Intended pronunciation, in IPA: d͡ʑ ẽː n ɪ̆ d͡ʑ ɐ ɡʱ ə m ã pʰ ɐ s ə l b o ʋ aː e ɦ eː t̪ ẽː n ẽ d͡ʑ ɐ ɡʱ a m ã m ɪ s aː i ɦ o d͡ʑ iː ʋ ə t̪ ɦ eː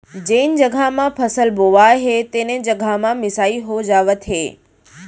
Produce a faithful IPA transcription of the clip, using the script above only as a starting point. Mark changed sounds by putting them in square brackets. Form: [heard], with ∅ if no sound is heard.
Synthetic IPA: d͡ʑ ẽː n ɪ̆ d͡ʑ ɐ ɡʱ [a] m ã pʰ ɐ s ə l b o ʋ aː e ɦ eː t̪ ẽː n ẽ d͡ʑ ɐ ɡʱ a m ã m ɪ s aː i ɦ o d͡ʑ [aː] ʋ ə t̪ ɦ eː